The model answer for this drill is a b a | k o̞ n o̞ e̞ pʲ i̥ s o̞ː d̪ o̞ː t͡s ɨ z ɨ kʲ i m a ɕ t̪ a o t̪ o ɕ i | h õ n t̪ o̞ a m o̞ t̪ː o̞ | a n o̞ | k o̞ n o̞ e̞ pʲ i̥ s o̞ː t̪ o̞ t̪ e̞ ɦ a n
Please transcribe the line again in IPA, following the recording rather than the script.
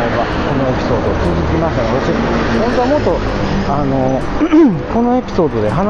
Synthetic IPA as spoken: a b a | k o̞ n o̞ e̞ pʲ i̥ s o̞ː d̪ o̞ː t͡s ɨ z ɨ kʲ i m a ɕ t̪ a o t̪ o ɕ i | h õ n t̪ o̞ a m o̞ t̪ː o̞ | a n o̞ | k o̞ n o̞ e̞ pʲ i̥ s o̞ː d̪ o̞ d̪ e̞ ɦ a n